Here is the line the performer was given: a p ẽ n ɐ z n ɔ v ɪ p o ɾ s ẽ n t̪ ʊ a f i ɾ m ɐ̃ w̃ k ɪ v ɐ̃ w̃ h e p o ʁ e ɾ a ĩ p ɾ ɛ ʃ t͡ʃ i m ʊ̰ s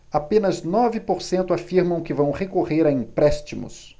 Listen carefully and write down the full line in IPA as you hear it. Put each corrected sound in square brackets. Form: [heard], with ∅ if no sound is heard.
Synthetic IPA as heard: a p ẽ n ɐ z n ɔ v ɪ p o ɾ s ẽ n t̪ ʊ a f i ɾ m ɐ̃ w̃ k ɪ v ɐ̃ w̃ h e [k] o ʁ e ɾ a ĩ p ɾ ɛ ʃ t͡ʃ i m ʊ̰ s